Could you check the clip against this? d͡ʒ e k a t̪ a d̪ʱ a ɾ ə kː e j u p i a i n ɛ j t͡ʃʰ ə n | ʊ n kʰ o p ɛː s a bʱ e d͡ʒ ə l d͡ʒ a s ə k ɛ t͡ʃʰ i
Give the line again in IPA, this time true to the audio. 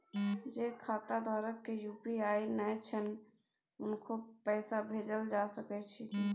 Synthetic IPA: d͡ʒ e kʰ a t̪ a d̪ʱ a ɾ ə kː e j u p i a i n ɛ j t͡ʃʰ ə n | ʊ n kʰ o p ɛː s a bʱ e d͡ʒ ə l d͡ʒ a s ə k ɛ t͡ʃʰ i